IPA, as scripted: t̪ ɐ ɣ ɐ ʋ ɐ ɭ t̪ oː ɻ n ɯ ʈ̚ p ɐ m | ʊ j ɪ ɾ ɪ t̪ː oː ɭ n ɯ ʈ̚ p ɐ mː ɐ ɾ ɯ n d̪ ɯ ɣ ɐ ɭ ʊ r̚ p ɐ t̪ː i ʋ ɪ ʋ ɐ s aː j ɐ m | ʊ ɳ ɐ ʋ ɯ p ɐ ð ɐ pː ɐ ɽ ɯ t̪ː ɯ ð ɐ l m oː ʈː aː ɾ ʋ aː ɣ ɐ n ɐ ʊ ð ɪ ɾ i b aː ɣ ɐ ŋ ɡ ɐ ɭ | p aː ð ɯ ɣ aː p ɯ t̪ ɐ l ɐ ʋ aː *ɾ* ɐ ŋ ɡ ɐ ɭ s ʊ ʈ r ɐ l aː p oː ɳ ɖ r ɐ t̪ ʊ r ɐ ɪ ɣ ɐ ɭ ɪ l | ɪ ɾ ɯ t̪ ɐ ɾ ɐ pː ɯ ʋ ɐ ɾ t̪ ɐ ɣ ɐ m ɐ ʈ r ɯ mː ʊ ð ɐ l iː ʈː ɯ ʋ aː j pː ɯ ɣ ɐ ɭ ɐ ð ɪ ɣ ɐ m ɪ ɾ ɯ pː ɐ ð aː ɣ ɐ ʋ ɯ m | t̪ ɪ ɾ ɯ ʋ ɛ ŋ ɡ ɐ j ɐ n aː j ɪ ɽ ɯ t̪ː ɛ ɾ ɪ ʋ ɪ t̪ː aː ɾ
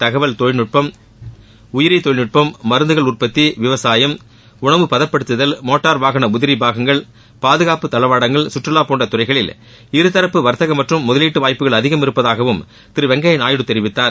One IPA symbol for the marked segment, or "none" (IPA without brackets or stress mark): ɽ